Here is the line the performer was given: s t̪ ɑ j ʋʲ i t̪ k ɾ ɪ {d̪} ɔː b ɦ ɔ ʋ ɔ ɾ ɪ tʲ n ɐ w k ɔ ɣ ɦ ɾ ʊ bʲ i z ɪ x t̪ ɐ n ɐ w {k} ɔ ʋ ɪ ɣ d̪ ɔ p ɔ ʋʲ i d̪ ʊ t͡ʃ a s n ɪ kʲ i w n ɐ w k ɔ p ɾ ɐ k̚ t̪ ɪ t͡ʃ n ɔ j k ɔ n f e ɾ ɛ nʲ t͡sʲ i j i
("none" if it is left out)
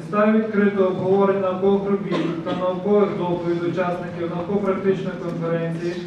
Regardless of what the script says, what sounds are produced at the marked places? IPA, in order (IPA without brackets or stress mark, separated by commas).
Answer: t̪, k